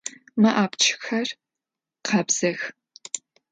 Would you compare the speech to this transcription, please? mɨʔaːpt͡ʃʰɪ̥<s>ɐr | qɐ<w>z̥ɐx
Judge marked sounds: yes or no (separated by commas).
no, no